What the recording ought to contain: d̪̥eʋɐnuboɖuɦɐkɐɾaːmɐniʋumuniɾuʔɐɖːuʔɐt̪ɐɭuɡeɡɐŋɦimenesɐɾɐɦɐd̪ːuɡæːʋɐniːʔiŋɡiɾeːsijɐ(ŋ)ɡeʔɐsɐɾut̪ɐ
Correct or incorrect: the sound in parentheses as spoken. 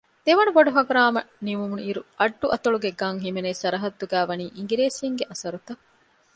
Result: correct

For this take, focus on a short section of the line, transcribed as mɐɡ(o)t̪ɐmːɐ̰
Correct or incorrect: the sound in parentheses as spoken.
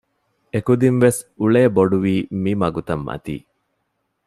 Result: incorrect: u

